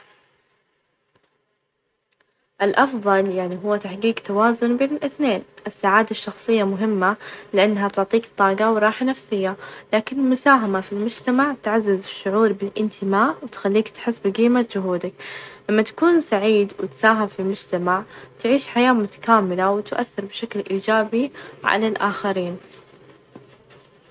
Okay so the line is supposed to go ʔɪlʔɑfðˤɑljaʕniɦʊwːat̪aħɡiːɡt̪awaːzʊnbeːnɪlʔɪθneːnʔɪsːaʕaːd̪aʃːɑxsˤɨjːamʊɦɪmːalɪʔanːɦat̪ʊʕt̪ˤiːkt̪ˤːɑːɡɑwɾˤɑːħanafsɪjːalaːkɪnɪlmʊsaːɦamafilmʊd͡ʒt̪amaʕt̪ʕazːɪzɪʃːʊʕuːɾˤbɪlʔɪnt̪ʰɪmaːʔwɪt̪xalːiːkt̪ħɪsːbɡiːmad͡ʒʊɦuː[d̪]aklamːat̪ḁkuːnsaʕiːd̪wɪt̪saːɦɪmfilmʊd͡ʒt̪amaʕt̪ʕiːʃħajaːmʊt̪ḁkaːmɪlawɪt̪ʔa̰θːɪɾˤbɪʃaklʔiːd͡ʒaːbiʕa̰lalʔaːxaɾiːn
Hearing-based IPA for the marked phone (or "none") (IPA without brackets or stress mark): d̪